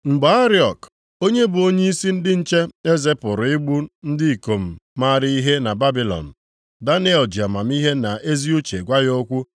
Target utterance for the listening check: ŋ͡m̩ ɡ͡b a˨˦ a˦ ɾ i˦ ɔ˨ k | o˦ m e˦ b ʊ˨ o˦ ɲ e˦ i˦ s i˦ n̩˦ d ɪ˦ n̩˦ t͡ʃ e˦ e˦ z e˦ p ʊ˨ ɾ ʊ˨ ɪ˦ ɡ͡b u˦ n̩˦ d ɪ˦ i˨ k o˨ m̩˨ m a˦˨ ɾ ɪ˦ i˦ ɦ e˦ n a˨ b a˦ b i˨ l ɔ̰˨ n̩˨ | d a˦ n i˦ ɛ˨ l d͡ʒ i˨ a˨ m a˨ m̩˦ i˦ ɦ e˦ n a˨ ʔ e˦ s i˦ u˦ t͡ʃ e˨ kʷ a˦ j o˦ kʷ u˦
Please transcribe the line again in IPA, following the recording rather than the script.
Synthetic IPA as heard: ŋ͡m̩ ɡ͡b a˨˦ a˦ ɾ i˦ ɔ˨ k | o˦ ɲ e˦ b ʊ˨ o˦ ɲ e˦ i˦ s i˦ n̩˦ d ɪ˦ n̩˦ t͡ʃ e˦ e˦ z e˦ p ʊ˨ ɾ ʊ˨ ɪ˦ ɡ͡b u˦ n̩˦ d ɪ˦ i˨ k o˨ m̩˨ m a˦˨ ɾ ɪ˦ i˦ ɦ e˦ n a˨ b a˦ b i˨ l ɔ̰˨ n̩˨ | d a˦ n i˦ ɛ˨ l d͡ʒ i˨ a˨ m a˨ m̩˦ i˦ ɦ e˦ n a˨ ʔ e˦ z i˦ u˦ t͡ʃ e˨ ɡʷ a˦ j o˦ kʷ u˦